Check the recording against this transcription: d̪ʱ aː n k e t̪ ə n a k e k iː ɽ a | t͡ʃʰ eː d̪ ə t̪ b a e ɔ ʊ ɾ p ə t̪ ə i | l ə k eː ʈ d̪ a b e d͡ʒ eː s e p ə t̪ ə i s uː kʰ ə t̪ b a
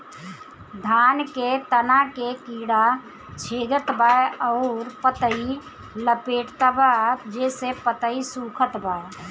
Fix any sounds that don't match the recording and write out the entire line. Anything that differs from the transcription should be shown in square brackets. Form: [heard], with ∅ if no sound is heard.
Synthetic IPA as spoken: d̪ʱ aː n k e t̪ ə n a k e k iː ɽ a | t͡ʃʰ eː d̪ ə t̪ b a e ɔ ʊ ɾ p ə t̪ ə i | l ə [p] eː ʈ [t̪] a b [a] d͡ʒ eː s e p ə t̪ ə i s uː kʰ ə t̪ b a